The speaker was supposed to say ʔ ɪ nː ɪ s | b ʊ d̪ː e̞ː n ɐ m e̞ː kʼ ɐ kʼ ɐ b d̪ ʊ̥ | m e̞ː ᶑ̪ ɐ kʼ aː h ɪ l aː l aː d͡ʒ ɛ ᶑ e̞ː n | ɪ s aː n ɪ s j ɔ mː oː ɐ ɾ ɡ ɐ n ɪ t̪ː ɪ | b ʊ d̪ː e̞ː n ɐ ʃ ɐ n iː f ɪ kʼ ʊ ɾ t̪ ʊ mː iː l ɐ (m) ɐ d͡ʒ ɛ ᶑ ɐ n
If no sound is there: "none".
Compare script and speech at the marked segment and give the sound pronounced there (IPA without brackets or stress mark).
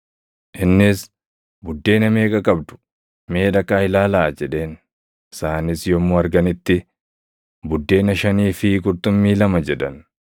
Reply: m